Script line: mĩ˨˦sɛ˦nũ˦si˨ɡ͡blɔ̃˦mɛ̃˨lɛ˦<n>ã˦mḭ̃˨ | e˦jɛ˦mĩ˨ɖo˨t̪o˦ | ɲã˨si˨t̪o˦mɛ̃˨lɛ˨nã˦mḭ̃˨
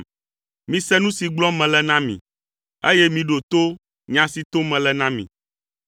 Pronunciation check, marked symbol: correct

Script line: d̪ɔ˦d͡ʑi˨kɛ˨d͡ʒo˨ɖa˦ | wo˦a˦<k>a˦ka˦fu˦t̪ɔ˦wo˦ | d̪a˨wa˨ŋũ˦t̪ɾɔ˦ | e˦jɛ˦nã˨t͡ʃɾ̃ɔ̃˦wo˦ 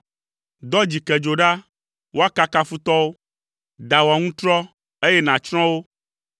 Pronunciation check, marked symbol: correct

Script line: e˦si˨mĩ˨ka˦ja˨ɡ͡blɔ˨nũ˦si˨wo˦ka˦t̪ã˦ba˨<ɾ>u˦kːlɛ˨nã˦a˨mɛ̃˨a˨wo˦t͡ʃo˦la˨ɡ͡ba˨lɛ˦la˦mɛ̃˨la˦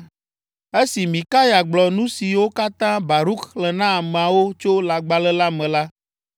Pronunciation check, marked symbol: correct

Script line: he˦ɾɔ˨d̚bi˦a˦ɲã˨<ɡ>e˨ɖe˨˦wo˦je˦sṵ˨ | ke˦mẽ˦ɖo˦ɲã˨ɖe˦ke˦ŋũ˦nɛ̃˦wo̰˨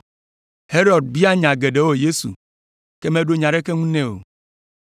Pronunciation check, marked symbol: correct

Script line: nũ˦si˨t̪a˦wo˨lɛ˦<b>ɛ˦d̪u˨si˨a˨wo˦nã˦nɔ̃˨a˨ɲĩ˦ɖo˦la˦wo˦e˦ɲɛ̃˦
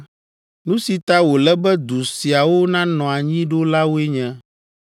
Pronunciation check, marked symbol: correct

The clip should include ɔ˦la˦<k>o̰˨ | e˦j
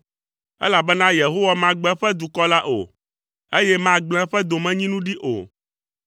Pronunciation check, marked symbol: incorrect: ʔ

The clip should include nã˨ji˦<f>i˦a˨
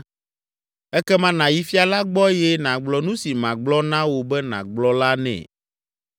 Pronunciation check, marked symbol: correct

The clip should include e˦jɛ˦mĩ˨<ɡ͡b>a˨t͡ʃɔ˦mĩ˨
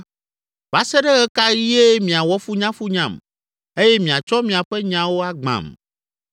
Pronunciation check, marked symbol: incorrect: none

